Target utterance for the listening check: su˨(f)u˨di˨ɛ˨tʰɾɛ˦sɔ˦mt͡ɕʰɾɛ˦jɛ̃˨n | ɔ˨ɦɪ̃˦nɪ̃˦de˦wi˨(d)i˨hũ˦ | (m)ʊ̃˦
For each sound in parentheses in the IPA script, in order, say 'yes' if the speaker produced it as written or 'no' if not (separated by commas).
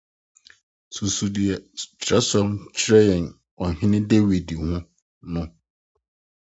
no, yes, no